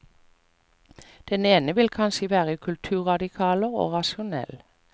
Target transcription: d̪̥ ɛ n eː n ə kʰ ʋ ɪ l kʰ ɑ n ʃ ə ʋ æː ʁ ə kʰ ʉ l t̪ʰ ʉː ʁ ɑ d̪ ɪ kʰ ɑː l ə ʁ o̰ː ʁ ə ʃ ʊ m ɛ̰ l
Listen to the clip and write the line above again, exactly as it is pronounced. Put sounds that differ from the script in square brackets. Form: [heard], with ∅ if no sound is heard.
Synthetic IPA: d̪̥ ɛ n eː n ə [∅] ʋ ɪ l kʰ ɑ n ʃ ə ʋ æː ʁ ə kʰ ʉ l t̪ʰ ʉː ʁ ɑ d̪ ɪ kʰ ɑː l ə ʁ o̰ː ʁ [ɑ] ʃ ʊ [n] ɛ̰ l